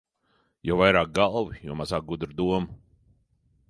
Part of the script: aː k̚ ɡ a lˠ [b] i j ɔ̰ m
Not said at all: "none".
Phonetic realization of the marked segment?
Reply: v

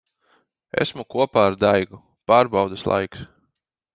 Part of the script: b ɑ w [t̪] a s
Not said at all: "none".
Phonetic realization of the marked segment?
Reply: d̪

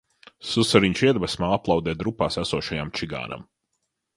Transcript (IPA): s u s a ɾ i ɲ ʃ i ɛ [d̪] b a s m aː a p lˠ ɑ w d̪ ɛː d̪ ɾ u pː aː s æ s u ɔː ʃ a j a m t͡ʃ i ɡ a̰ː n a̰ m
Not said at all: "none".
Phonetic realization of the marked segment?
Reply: d̪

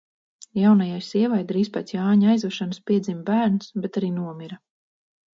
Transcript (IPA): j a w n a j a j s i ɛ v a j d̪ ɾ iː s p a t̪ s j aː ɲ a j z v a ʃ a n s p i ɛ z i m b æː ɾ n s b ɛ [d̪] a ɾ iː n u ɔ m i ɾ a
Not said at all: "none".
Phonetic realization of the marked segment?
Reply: t̪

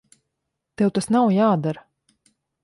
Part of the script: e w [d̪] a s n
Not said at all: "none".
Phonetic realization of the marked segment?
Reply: t̪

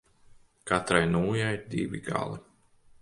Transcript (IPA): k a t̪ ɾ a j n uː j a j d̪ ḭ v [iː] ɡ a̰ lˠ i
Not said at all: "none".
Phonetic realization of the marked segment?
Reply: i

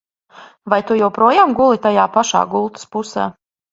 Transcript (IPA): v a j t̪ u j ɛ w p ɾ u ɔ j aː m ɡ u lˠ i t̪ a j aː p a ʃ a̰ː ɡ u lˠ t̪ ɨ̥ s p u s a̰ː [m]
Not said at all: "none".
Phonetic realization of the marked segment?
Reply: none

